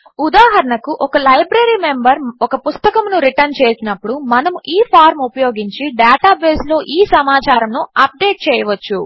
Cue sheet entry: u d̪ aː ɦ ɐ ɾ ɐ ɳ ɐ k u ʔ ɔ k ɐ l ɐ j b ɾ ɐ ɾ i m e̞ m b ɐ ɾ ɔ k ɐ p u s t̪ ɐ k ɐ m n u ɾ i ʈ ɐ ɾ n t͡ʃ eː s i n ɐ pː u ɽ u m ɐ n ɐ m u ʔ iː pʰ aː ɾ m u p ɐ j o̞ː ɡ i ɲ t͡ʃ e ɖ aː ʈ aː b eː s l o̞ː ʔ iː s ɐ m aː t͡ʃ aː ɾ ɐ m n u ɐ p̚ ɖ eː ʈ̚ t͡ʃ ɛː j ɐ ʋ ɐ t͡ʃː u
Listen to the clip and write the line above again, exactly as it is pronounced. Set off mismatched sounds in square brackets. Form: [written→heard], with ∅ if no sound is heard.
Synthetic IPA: u d̪ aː ɦ ɐ ɾ ɐ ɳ ɐ k u ʔ ɔ k ɐ l ɐ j b ɾ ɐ ɾ i m e̞ m b ɐ ɾ ɔ k ɐ p u s t̪ ɐ k ɐ m n u ɾ i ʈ ɐ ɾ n t͡ʃ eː s i n ɐ pː u ɽ u m ɐ n ɐ m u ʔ iː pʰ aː ɾ m u p ɐ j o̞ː ɡ i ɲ t͡ʃ [e→i] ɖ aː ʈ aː b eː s l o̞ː ʔ iː s ɐ m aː t͡ʃ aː ɾ ɐ m n u ɐ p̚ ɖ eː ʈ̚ t͡ʃ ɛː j ɐ ʋ ɐ t͡ʃː u